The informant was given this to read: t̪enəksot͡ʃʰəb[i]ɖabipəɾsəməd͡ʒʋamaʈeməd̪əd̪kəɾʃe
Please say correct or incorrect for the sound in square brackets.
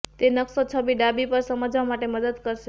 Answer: correct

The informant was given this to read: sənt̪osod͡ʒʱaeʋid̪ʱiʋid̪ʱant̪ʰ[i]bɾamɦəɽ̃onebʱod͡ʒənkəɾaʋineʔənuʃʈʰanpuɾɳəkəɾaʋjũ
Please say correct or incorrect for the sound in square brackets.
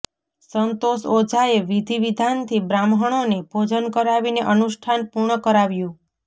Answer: correct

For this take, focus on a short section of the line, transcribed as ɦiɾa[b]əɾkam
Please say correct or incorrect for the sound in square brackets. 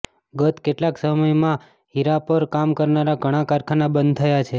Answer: incorrect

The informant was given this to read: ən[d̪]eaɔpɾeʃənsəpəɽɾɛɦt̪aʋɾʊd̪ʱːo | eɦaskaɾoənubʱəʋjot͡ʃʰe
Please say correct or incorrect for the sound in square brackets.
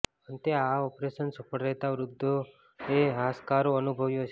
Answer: incorrect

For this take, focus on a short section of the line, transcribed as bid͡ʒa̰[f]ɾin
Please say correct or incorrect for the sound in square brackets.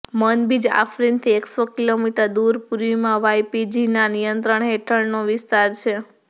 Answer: correct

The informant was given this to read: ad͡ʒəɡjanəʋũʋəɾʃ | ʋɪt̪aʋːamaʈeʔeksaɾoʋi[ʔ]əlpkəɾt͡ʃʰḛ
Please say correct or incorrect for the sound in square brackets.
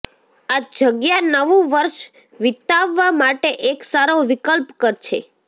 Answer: incorrect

